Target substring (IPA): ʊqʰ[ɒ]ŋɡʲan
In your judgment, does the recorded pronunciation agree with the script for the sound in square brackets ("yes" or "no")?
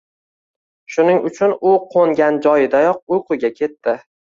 no